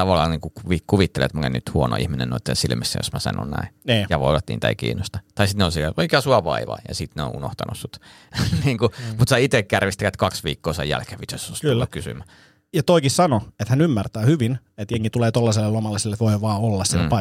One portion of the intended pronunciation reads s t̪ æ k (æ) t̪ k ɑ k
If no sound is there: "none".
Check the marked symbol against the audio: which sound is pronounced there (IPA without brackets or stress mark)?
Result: æ